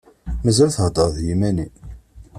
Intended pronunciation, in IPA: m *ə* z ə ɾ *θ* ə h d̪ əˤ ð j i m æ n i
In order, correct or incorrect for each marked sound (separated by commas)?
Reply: correct, correct